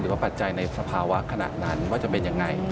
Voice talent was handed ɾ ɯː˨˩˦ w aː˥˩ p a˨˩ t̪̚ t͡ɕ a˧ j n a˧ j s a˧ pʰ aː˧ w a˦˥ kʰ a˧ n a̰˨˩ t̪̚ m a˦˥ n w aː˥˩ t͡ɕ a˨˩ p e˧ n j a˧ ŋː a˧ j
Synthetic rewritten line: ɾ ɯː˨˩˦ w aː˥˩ p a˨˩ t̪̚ t͡ɕ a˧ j n a˧ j s a˧ pʰ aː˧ w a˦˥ kʰ a˧ n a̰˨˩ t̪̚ n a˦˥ n w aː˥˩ t͡ɕ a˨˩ p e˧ n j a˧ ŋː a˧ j

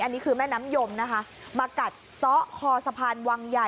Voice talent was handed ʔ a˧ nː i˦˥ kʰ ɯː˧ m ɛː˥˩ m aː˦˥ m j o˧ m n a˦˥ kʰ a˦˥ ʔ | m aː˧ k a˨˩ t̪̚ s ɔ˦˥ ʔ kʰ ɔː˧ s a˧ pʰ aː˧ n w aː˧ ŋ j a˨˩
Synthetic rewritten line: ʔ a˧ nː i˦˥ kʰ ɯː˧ m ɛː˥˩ n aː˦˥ m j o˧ m n a˦˥ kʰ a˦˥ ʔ | m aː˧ k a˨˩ t̪̚ s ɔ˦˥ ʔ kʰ ɔː˧ s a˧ pʰ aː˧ n w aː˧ ŋ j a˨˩

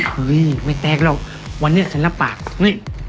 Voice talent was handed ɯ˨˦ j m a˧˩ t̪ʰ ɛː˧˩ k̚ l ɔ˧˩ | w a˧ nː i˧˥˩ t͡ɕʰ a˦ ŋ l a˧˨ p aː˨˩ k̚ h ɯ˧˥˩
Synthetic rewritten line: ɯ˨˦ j m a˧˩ t̪ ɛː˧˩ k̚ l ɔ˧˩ | w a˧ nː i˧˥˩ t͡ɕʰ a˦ n l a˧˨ p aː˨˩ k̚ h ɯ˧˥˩

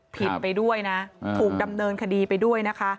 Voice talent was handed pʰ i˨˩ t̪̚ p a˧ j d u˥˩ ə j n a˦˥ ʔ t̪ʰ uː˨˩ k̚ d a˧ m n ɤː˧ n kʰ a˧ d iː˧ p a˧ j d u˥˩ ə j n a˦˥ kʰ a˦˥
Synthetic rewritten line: pʰ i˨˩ t̪̚ p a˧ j d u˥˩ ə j n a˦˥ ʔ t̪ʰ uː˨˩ k̚ d a˧ m n ɤː˧ n kʰ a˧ d iː˧ p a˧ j d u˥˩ ə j n a˦˥ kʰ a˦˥

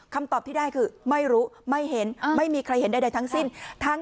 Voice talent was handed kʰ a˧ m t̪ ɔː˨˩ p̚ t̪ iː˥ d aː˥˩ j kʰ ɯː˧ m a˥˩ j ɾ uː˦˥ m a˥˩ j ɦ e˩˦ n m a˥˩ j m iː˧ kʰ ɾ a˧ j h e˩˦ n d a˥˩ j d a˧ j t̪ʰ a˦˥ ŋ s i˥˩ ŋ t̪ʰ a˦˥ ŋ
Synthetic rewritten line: kʰ a˧ m t̪ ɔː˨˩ p̚ t̪ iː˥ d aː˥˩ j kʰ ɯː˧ m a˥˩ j ɾ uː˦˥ m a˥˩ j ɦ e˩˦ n m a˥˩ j m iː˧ kʰ ɾ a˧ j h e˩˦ n d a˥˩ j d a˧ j t̪ʰ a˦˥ ŋ s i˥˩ n t̪ʰ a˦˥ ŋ

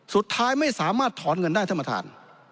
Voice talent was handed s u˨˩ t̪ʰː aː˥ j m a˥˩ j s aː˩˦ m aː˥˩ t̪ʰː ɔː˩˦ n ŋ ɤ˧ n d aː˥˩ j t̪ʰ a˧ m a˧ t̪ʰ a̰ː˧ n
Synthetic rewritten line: s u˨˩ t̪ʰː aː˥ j m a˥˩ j s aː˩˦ m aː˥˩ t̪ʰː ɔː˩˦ n ŋ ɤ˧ n d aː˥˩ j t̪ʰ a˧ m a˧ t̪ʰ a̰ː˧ n

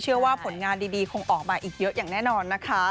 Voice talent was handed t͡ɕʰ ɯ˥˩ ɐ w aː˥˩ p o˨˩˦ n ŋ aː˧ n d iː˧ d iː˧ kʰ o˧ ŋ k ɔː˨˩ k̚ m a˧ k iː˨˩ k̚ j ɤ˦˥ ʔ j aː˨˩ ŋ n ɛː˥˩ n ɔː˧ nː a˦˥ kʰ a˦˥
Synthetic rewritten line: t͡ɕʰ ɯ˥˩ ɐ w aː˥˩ pʰ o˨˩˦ n ŋ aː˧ n d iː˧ d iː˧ kʰ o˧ ŋ ʔ ɔː˨˩ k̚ m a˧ ʔ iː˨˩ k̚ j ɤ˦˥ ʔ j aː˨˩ ŋ n ɛː˥˩ n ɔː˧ nː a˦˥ kʰ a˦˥

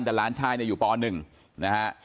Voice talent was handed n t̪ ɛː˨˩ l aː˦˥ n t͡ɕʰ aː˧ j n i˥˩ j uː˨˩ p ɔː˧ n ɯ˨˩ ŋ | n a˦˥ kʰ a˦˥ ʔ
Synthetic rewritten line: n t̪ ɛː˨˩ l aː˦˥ n t͡ɕʰ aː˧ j n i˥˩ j uː˨˩ p ɔː˧ n ɯ˨˩ ŋ | n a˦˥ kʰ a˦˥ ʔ

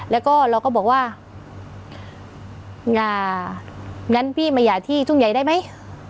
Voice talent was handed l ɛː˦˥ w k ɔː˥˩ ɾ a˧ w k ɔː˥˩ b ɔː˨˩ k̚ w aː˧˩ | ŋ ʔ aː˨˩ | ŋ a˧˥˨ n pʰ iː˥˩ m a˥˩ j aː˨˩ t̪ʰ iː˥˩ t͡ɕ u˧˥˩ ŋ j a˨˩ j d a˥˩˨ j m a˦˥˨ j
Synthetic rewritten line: l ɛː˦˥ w k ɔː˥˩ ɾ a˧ w k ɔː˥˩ b ɔː˨˩ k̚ w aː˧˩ | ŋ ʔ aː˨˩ | ŋ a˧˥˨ n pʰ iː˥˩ m a˧˩ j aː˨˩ t̪ʰ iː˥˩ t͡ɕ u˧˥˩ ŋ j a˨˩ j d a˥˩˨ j m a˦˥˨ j

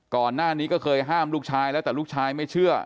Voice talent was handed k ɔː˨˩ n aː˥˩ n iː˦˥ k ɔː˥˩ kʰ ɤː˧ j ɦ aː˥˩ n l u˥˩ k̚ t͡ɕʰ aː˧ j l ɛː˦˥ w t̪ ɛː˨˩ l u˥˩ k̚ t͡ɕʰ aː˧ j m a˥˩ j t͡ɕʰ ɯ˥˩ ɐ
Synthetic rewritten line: k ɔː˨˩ nː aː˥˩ n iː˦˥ k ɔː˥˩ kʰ ɤː˧ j ɦ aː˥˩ m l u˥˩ k̚ t͡ɕʰ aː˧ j l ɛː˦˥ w t̪ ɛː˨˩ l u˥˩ k̚ t͡ɕʰ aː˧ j m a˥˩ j t͡ɕʰ ɯ˥˩ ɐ

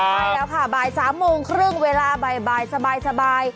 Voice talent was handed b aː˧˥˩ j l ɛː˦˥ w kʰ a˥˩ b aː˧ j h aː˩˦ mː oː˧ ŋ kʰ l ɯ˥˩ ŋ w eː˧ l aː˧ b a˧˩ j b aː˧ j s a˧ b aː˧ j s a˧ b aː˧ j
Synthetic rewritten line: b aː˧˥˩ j l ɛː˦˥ w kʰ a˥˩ b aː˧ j s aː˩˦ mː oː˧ ŋ kʰ ɾ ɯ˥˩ ŋ w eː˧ l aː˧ b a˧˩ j b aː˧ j s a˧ b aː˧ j s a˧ b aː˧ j

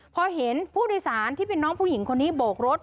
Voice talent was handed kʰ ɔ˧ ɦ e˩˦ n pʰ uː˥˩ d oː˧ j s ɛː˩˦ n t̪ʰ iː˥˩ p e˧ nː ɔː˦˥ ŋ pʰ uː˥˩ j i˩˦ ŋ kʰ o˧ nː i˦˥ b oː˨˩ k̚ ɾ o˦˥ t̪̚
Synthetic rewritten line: pʰ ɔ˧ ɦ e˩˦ n pʰ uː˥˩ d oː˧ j s aː˩˦ n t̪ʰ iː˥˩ p e˧ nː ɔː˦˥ ŋ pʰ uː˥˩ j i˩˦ ŋ kʰ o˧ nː iː˦˥ b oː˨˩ k̚ ɾ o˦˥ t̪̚

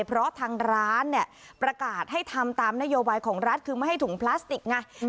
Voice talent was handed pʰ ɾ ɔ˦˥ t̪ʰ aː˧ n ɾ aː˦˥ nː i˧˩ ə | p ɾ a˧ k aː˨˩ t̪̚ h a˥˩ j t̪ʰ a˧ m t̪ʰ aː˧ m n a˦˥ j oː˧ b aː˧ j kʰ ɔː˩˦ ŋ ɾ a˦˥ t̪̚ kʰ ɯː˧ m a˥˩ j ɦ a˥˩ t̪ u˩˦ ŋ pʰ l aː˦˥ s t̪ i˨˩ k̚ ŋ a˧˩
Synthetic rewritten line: pʰ ɾ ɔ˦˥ t̪ʰ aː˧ ŋ ɾ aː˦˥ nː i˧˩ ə | p ɾ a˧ k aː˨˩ t̪̚ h a˥˩ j t̪ʰ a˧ m t̪ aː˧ m n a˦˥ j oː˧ b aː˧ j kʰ ɔː˩˦ ŋ ɾ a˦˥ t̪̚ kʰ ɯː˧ m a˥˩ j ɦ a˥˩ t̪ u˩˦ ŋ pʰ l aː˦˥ s t̪ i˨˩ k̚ ŋ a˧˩

